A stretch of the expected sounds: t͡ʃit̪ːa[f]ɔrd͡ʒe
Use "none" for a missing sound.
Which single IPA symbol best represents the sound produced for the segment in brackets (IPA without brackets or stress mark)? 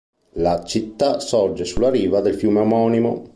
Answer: s